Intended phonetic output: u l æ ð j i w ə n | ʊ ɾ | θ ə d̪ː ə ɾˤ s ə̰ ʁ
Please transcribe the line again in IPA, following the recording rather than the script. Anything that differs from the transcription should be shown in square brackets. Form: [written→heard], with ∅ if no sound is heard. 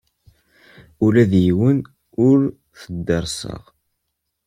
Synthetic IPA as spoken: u l æ ð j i w ə n | ʊ ɾ | θ ə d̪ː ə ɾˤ s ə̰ ʁ